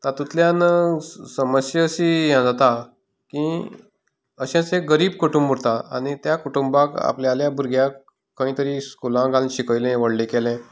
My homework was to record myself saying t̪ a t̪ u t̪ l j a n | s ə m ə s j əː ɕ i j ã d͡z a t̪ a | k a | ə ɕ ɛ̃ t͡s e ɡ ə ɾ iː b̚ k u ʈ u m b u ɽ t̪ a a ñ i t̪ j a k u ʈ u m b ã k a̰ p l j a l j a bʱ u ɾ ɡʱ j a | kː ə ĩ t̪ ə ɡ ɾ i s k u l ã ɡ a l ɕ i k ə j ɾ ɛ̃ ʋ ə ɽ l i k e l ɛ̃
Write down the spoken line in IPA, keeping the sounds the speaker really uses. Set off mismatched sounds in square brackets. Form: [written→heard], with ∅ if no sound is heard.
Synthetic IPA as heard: t̪ a t̪ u t̪ l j a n | s ə m ə s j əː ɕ i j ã d͡z a t̪ a | k [a→i] | ə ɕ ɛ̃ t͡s e ɡ ə ɾ iː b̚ k u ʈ u m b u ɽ t̪ a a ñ i t̪ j a k u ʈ u m b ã k a̰ p l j a l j a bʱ u ɾ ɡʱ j a | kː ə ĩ t̪ ə [ɡ→∅] ɾ i s k u l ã ɡ a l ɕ i k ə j [ɾ→l] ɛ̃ ʋ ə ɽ l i k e l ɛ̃